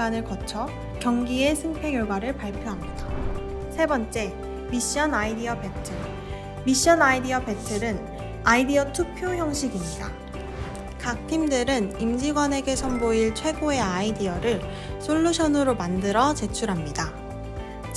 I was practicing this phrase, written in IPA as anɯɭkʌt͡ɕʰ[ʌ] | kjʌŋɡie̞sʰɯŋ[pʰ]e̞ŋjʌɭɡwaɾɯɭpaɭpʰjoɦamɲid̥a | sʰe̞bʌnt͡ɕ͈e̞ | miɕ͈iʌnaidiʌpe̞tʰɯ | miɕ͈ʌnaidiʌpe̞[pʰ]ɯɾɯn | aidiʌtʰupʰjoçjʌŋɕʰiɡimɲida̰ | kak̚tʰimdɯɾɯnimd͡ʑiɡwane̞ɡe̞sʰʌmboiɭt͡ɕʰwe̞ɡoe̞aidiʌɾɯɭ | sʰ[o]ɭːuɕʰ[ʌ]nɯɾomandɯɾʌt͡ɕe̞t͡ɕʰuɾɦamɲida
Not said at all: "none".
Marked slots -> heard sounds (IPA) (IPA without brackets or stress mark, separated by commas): ʌ, pʰ, tʰ, o, ʌ